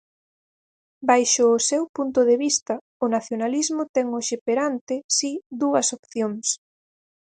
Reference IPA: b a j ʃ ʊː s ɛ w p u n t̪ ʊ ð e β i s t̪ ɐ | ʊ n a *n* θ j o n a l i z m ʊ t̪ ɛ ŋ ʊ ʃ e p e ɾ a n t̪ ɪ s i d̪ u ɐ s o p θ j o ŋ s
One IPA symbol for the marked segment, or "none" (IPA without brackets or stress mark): none